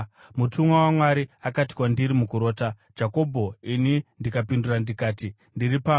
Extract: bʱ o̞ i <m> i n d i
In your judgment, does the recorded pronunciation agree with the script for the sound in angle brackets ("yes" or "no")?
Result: no